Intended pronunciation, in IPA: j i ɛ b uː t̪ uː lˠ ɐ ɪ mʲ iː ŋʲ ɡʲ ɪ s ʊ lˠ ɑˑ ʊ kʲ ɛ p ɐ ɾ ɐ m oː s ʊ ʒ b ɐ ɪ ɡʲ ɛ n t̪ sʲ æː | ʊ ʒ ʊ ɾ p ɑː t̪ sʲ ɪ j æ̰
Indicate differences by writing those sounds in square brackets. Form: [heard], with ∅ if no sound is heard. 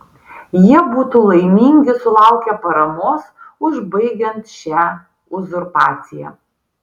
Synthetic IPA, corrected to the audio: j i ɛ b uː t̪ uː lˠ ɐ ɪ mʲ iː ŋʲ ɡʲ ɪ s ʊ lˠ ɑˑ ʊ kʲ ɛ p ɐ ɾ ɐ m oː s ʊ ʒ b ɐ ɪ ɡʲ ɛ n t̪ [ʃʲ] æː | ʊ [z] ʊ ɾ p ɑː t̪ sʲ ɪ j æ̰